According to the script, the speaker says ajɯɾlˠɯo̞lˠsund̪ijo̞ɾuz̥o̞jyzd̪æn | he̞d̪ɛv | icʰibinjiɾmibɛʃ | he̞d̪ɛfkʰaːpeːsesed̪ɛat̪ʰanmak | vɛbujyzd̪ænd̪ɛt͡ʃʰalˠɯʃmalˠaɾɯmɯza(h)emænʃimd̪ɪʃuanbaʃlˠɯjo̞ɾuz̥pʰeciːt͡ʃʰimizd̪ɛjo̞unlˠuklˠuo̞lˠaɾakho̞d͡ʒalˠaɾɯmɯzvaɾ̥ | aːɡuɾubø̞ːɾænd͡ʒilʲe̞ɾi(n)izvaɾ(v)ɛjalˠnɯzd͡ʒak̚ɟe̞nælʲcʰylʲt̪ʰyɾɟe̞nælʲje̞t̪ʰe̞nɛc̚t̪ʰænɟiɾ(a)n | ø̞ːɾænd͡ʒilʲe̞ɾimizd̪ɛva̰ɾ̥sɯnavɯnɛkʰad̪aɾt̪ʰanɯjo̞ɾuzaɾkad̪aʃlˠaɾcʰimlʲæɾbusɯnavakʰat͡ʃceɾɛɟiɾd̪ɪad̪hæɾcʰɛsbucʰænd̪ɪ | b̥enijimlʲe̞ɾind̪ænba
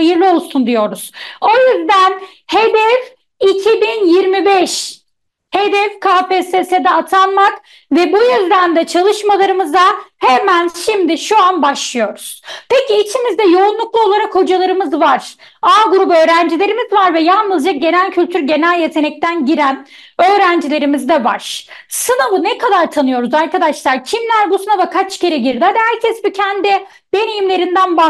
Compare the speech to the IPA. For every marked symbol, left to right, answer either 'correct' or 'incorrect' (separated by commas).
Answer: correct, incorrect, correct, incorrect